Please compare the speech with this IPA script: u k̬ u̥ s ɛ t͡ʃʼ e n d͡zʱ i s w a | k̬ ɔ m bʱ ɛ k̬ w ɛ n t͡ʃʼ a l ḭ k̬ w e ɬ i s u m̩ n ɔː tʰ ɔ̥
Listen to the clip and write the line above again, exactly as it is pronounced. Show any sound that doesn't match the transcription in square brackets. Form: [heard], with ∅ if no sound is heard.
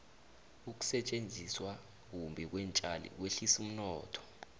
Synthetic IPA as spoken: u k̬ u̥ s ɛ t͡ʃʼ e n d͡zʱ i s w a | k̬ [u] m bʱ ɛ k̬ w ɛ n t͡ʃʼ a l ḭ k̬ w e ɬ i s u m̩ n ɔː tʰ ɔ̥